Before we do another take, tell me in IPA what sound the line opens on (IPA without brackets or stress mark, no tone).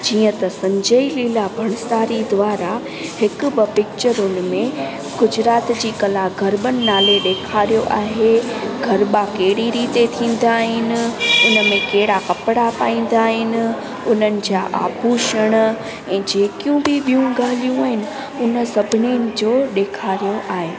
d͡ʑ